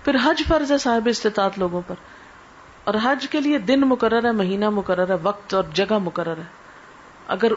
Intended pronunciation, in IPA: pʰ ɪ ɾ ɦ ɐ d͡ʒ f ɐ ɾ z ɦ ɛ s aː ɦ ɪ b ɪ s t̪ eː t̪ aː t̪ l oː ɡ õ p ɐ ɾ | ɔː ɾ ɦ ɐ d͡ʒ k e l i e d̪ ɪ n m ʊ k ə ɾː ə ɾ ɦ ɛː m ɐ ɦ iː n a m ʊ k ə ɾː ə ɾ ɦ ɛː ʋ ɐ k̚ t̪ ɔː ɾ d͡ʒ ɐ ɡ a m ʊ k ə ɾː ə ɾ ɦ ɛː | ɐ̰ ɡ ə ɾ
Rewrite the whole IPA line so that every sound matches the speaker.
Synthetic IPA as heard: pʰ ɪ ɾ ɦ ɐ d͡ʒ f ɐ ɾ z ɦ ɛ s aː ɦ ɪ b ɪ s t̪ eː t̪ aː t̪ l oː ɡ õ p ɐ ɾ | ɔː ɾ ɦ ɐ d͡ʒ k e l i e d̪ ɪ n m ʊ k ə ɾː ə ɾ ɦ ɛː m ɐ ɦ iː n a m ʊ k ə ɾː ə ɾ ɦ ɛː ʋ ɐ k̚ t̪ ɔː ɾ d͡ʒ ɐ ɡ a m ʊ k ə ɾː ə ɾ ɦ ɛː | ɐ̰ ɡ ə ɾ